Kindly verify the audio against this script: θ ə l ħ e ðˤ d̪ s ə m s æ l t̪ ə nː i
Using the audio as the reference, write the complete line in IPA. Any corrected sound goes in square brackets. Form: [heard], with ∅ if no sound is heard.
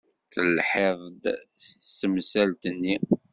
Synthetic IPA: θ ə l ħ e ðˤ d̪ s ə m s æ l t̪ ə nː i